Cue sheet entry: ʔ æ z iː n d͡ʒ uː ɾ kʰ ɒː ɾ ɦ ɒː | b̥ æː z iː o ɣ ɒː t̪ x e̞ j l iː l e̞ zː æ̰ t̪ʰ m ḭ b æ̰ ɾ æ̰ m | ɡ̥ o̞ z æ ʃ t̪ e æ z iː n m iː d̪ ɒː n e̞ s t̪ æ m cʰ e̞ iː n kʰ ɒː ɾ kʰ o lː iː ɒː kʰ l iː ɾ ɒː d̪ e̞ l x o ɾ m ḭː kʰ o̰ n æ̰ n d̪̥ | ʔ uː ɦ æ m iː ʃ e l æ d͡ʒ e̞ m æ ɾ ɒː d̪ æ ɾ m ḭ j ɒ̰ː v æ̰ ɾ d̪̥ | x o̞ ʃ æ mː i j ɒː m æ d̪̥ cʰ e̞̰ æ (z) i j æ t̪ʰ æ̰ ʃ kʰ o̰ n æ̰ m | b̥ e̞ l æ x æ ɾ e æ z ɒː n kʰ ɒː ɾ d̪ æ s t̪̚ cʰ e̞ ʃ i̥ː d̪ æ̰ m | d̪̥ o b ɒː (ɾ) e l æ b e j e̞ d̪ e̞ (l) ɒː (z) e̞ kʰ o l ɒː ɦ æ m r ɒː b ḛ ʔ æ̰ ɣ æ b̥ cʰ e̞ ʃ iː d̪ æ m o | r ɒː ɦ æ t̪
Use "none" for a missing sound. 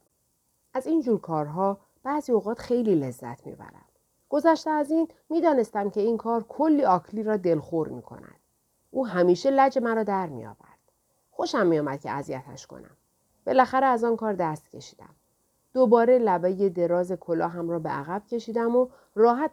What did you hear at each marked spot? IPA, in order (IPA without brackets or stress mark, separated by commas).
z, ɾ, ɾ, z